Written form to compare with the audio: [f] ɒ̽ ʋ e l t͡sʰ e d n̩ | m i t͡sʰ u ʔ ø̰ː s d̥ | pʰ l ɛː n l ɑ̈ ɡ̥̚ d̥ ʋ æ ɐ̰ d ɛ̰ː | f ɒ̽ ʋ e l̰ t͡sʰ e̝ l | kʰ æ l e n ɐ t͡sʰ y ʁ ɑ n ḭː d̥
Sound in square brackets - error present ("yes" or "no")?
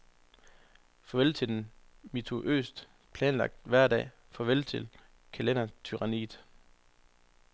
no